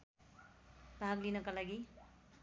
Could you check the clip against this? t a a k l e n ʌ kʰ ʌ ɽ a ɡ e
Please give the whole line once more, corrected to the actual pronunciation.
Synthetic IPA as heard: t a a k l i n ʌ k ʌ l a ɡ i